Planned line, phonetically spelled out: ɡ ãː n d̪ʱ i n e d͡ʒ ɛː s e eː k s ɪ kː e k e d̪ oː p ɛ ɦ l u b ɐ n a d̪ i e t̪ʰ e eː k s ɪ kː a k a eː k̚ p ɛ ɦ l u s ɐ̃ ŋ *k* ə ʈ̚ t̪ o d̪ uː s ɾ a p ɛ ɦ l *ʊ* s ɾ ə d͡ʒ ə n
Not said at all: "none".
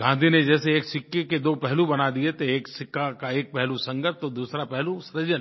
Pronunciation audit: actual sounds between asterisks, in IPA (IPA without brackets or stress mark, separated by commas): ɡ, u